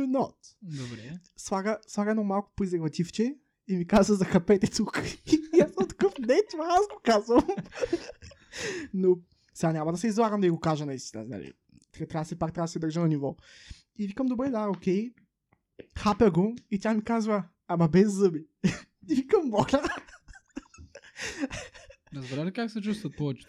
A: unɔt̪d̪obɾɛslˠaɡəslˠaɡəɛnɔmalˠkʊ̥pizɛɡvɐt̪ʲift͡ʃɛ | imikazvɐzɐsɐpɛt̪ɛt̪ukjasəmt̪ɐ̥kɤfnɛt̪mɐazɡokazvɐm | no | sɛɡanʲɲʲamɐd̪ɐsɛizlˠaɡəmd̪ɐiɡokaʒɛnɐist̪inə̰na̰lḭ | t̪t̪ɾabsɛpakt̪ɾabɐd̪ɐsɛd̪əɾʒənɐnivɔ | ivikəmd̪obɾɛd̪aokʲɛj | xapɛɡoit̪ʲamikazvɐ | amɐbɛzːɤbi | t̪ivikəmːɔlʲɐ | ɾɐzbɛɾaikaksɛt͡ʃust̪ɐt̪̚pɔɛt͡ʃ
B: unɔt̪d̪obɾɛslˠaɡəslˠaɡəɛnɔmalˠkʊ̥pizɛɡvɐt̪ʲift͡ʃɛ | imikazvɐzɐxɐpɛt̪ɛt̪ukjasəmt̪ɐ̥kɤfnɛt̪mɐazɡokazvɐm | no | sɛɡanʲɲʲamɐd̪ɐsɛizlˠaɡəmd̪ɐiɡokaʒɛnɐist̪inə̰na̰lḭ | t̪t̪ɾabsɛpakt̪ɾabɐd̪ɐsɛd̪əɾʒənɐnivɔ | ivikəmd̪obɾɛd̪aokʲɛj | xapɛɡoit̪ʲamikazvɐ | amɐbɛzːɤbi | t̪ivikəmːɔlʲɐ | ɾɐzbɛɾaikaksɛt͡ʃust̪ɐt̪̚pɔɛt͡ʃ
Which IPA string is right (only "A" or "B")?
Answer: B